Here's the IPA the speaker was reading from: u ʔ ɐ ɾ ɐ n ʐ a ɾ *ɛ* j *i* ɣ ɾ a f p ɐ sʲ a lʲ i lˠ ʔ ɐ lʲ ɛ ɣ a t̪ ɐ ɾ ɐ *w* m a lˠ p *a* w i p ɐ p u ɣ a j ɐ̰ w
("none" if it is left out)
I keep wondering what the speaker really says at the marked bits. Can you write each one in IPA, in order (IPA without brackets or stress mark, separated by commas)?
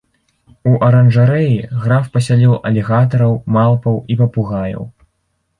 ɛ, i, w, ɐ